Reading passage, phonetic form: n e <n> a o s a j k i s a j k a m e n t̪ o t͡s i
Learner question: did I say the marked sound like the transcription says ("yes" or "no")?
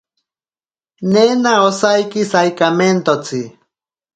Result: yes